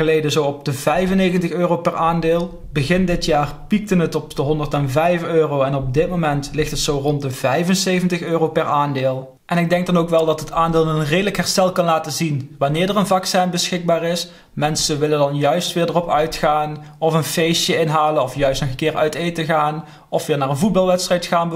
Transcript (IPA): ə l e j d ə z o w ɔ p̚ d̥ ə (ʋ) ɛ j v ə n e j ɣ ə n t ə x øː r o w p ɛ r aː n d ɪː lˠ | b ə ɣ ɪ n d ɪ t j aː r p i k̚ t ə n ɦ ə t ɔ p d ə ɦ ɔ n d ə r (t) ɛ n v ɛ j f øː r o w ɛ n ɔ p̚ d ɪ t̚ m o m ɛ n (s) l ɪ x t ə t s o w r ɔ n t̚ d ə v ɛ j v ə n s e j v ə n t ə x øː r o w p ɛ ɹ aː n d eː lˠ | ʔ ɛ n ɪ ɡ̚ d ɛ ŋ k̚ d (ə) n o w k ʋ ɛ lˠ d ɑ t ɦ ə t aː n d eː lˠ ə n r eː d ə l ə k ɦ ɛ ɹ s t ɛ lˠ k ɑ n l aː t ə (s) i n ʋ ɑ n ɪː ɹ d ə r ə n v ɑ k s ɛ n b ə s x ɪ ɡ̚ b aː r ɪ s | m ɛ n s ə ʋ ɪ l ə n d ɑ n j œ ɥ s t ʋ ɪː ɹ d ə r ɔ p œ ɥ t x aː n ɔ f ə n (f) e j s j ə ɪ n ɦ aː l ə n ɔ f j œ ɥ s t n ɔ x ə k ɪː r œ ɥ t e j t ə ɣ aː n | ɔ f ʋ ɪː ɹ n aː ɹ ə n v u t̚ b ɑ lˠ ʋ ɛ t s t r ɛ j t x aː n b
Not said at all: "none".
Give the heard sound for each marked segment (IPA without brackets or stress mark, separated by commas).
v, t, t, ɑ, z, f